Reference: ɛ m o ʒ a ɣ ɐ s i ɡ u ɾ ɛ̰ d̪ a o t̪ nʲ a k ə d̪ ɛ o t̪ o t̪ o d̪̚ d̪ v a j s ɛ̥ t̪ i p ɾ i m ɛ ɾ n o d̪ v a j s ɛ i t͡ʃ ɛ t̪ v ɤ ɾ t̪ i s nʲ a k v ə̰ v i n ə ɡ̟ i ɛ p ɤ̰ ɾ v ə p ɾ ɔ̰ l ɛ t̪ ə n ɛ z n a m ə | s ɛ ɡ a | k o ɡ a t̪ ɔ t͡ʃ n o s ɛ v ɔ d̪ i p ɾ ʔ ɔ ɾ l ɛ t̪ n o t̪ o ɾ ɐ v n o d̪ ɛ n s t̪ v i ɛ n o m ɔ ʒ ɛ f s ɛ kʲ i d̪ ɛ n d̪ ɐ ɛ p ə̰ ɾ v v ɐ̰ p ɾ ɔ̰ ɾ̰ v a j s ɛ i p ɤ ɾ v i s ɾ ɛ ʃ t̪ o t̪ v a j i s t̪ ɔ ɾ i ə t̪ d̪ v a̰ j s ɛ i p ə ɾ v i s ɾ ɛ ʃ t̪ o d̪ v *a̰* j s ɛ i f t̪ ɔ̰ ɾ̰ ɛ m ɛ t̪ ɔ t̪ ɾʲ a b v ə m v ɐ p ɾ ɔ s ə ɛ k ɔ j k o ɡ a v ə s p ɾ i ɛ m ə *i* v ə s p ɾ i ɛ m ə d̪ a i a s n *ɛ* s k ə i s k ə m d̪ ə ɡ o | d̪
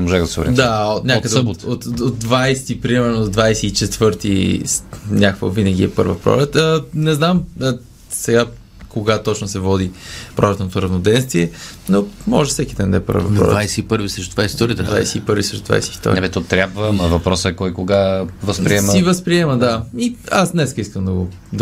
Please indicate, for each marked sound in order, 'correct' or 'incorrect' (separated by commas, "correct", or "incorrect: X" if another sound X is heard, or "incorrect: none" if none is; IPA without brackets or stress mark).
correct, correct, correct